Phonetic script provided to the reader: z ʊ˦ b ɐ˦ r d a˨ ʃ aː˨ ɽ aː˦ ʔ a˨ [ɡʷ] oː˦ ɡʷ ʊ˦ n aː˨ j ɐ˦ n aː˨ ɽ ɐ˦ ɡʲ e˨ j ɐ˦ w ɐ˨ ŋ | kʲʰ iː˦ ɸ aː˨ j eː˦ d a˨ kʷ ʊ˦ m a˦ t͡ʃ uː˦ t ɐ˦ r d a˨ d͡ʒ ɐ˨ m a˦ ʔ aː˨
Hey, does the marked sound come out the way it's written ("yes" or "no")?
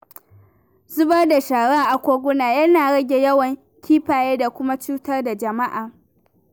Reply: no